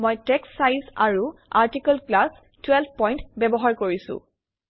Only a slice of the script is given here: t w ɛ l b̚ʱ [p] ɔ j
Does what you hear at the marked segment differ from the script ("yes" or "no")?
no